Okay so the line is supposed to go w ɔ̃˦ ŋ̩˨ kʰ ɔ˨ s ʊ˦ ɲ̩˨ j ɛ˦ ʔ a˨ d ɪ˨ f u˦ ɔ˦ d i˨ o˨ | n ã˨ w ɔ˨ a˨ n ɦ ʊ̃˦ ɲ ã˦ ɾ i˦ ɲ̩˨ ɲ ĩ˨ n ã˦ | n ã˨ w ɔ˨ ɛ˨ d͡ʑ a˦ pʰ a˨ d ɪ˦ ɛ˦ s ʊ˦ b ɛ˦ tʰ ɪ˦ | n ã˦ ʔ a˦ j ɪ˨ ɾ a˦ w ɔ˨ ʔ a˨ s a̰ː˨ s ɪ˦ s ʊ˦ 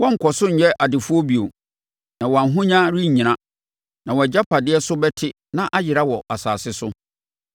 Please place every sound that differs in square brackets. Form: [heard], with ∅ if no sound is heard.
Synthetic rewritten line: w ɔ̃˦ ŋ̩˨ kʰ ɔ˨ s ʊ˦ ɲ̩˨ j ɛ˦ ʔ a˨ d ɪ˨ f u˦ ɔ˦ [b] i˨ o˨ | n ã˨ w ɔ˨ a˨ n ɦ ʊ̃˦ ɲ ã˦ ɾ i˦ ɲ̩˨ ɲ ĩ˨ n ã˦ | n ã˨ w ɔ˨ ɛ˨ d͡ʑ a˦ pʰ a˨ d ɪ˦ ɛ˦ s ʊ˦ b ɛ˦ tʰ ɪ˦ | n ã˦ ʔ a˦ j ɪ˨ ɾ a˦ w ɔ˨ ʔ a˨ s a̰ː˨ s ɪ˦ s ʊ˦